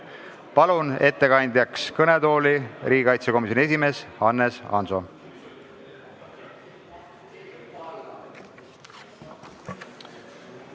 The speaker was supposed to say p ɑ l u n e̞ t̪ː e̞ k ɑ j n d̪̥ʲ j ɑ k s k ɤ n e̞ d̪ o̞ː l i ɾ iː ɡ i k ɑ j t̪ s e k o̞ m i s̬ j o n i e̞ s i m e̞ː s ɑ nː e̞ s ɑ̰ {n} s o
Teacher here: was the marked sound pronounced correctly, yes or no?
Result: yes